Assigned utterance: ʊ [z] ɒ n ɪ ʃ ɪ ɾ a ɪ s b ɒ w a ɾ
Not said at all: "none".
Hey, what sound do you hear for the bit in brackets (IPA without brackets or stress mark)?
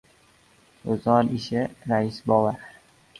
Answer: z